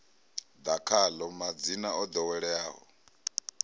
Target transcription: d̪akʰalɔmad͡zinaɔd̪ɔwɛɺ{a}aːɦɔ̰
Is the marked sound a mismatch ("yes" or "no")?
yes